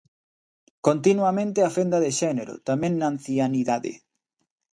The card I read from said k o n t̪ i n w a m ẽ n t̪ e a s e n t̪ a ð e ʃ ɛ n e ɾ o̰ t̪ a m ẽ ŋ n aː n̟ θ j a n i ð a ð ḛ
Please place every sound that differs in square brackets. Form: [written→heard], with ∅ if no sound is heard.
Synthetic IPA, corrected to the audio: k o n t̪ i n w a m ẽ n t̪ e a [s→f] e n [t̪→d̪] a ð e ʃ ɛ n e ɾ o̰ t̪ a m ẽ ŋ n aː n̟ θ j a n i ð a ð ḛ